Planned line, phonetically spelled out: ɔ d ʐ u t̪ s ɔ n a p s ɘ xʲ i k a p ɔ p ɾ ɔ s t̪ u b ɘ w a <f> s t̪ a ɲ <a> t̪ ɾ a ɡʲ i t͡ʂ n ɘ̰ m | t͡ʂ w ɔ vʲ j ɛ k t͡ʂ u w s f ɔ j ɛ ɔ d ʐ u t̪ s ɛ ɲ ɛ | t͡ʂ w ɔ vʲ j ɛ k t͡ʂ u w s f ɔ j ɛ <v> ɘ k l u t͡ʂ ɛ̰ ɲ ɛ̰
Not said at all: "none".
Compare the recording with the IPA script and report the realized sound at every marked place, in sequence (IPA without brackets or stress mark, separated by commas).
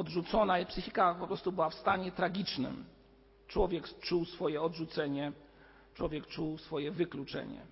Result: f, ɛ, v